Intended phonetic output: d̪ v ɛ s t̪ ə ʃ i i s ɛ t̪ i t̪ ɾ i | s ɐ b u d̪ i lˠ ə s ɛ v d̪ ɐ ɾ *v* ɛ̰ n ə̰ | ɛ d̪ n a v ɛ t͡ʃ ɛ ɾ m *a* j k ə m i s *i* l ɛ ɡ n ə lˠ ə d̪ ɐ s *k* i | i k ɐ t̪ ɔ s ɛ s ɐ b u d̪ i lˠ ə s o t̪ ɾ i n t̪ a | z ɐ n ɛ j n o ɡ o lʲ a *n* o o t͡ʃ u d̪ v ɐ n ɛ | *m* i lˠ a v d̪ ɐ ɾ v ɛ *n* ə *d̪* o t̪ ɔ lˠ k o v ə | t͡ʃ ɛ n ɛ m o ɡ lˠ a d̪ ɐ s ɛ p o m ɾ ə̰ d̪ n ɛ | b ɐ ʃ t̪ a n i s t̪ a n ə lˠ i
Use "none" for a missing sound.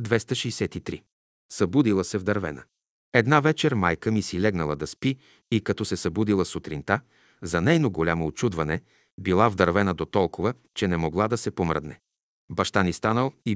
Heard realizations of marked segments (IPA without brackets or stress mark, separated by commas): v, a, i, p, m, b, n, d̪